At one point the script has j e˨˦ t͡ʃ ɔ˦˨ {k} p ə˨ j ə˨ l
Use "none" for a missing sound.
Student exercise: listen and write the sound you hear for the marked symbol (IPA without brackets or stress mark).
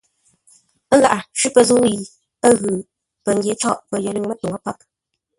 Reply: ʔ